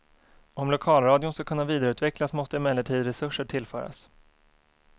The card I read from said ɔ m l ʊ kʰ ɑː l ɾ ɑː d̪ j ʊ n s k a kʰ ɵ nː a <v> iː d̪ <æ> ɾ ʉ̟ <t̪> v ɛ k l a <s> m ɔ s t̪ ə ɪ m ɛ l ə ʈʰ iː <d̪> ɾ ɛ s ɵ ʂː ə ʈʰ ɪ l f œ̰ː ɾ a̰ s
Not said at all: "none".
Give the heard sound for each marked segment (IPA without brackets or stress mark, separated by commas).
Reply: v, a, t̪, s, d̪